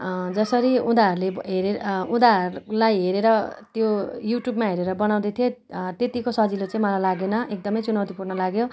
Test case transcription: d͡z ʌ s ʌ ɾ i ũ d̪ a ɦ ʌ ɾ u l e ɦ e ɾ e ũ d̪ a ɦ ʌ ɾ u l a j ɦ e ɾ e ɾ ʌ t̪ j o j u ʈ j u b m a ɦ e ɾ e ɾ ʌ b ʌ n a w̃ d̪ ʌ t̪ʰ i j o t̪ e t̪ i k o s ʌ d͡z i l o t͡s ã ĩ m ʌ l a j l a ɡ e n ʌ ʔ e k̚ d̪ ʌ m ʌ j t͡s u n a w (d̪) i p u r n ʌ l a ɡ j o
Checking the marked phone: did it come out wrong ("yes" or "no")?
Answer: yes